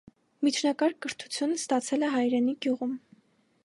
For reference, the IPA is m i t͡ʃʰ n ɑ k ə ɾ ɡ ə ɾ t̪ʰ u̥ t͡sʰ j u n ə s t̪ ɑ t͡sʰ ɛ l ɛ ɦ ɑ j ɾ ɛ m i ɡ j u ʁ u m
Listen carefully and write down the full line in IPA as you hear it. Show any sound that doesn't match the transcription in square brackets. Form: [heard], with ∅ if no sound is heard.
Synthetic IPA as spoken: m i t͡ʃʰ n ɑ k [ɑ] ɾ [k] ə ɾ t̪ʰ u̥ t͡sʰ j u n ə s t̪ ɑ t͡sʰ ɛ l ɛ ɦ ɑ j ɾ ɛ [n] i ɡ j u ʁ u m